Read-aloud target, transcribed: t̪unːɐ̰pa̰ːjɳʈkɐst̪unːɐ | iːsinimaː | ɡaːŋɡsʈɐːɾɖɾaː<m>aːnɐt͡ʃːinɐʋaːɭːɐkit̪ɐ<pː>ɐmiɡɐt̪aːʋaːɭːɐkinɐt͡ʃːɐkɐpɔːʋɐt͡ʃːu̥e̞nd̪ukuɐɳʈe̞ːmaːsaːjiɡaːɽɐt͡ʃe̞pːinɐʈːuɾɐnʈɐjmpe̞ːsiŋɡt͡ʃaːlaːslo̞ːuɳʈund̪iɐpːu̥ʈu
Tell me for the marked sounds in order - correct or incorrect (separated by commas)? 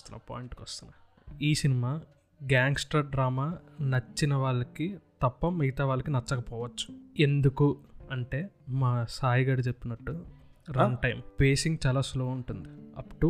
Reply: correct, correct